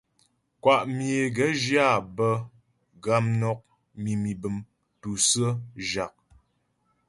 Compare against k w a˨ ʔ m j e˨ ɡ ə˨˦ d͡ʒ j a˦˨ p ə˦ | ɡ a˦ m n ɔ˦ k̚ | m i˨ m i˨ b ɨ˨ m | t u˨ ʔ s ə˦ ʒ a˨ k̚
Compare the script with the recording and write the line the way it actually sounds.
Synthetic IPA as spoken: k w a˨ ʔ m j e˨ ɡ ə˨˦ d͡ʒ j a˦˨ b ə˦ | ɡ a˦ m n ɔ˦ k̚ | m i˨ m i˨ b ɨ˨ m | t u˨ s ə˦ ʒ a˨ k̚